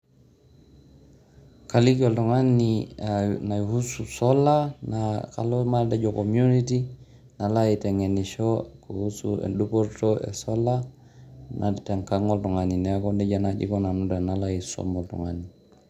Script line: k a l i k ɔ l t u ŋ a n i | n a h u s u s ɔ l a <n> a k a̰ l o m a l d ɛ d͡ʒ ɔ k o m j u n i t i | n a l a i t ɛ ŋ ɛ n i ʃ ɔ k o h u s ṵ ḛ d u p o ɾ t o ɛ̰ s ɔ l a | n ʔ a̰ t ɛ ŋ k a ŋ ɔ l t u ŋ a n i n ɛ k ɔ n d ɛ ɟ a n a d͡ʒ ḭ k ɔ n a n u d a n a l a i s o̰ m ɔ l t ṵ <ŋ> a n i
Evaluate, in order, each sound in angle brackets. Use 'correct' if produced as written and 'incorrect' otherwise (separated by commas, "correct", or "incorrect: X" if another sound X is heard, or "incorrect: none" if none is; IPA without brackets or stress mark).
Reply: correct, correct